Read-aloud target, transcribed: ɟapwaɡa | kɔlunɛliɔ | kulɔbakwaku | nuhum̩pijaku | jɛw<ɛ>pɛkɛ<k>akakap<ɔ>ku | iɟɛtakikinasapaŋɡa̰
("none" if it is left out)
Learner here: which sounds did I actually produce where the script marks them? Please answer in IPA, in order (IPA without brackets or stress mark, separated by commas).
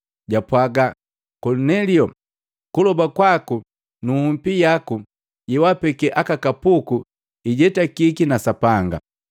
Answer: a, ʔ, u